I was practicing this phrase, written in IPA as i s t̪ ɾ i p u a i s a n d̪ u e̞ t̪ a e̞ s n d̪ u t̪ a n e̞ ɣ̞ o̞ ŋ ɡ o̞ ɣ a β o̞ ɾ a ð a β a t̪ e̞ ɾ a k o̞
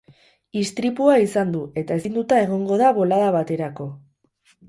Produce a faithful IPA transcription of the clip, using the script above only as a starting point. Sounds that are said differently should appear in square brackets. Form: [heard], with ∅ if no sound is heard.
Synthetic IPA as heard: i s t̪ ɾ i p u a i s a n d̪ u e̞ t̪ a e̞ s n d̪ u t̪ a [∅] e̞ ɣ̞ o̞ ŋ ɡ o̞ [ð] a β o̞ [l] a ð a β a t̪ e̞ ɾ a k o̞